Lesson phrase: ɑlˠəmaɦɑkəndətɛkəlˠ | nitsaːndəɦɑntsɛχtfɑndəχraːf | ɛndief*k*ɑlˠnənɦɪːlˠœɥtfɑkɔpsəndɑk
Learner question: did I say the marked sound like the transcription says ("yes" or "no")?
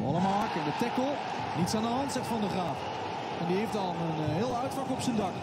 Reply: no